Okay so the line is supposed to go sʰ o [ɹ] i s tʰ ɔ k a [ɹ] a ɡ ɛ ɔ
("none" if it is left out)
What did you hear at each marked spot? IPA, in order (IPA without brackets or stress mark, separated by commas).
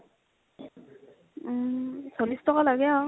l, l